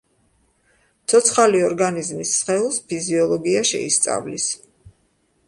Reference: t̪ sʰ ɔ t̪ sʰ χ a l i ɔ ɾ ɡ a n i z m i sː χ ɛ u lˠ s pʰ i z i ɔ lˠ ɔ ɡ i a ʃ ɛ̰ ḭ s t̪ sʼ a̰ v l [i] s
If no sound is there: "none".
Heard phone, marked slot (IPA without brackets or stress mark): i